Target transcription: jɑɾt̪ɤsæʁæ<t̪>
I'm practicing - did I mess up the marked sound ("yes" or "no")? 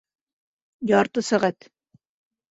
no